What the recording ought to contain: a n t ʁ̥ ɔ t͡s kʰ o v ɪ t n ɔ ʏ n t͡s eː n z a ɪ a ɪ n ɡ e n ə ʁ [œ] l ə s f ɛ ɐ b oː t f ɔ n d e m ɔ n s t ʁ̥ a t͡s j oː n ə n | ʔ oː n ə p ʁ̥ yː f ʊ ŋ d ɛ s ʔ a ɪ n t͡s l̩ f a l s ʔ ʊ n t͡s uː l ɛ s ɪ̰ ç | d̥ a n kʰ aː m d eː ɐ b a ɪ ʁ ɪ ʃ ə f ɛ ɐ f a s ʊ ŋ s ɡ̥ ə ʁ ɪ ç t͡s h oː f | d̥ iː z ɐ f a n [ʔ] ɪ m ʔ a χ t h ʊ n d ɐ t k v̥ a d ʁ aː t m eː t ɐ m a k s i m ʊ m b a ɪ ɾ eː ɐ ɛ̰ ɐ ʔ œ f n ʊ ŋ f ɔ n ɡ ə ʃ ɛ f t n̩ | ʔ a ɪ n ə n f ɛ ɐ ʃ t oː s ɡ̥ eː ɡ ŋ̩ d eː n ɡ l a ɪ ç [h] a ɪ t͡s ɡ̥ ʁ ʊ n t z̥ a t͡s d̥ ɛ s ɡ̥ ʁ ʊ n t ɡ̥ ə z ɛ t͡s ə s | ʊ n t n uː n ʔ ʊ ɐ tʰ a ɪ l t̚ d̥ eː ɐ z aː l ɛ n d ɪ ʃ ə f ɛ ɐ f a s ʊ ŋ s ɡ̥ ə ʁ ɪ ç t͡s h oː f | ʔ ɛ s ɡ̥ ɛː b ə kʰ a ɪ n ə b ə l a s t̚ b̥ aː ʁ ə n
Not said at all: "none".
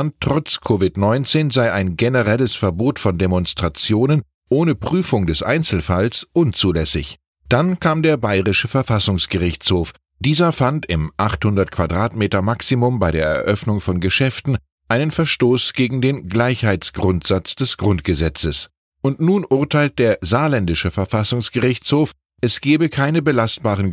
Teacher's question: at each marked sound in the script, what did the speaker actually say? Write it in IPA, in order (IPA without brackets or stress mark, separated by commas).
ɛ, t, h